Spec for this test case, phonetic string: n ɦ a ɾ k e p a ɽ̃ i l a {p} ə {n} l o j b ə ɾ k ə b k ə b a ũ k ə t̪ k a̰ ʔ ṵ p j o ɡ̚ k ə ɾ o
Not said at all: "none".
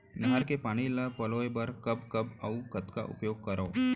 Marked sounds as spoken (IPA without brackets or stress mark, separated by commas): p, none